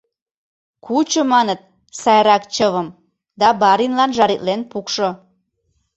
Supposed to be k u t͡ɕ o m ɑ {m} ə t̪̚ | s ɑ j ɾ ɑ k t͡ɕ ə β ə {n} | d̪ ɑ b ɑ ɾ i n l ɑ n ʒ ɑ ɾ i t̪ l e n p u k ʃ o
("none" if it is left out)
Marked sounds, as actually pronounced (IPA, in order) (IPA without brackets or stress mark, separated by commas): n, m